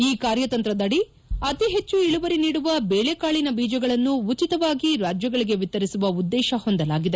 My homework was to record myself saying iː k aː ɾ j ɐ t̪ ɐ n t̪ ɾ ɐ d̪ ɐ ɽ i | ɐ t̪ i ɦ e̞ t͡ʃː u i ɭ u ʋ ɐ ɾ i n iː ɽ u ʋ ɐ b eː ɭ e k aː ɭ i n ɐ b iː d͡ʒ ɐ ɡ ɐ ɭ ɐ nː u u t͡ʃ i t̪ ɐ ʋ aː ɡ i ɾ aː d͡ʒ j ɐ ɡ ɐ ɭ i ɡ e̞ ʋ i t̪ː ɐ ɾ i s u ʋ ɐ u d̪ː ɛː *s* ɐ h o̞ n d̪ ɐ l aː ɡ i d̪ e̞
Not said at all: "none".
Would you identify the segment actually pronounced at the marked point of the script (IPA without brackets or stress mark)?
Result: ʃ